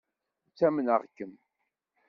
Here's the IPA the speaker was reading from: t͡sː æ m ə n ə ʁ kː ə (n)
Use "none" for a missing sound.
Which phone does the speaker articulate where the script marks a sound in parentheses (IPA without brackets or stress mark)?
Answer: m